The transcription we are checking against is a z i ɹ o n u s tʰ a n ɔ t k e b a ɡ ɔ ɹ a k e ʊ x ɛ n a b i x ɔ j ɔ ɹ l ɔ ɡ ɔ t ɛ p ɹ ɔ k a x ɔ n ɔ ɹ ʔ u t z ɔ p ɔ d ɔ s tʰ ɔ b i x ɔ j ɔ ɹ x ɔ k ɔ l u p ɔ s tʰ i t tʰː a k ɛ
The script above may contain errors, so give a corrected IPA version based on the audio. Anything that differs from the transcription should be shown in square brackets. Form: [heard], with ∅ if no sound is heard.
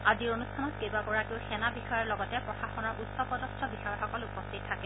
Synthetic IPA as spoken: a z i ɹ o n u s tʰ a n ɔ t k e b a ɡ ɔ ɹ a k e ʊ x ɛ n a b i x ɔ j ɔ ɹ l ɔ ɡ ɔ t ɛ p ɹ ɔ [x] a x ɔ n ɔ ɹ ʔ u t [s] ɔ p ɔ d ɔ s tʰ ɔ b i x ɔ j ɔ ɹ x ɔ k ɔ l u p ɔ s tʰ i t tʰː a k ɛ